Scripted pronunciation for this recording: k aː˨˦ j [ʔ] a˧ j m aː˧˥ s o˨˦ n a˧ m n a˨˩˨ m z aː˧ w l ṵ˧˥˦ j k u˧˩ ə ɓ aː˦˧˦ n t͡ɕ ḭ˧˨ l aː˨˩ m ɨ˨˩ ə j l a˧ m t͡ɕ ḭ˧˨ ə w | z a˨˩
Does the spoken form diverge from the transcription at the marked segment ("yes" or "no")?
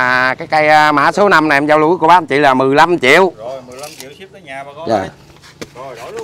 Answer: yes